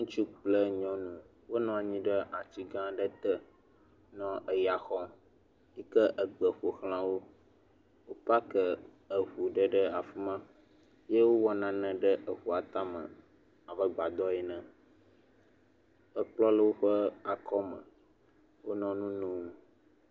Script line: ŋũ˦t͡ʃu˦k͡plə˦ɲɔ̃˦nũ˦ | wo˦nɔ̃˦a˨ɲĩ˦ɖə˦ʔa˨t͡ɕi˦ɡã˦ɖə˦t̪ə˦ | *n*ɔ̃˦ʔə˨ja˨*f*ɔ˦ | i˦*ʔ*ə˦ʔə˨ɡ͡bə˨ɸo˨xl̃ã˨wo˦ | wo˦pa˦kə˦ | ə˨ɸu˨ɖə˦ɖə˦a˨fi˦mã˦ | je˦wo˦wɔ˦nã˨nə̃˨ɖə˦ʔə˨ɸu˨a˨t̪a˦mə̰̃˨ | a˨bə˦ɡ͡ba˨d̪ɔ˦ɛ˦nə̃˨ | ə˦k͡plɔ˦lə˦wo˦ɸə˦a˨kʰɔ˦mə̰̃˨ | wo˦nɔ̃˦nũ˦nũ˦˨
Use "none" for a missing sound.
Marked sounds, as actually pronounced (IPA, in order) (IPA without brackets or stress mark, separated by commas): n, x, k